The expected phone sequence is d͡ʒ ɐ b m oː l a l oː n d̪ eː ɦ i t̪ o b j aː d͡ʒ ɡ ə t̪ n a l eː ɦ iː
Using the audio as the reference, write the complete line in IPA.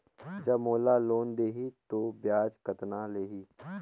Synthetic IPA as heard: d͡ʒ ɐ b m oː l a l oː n d̪ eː ɦ i t̪ o b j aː d͡ʒ k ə t̪ n a l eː ɦ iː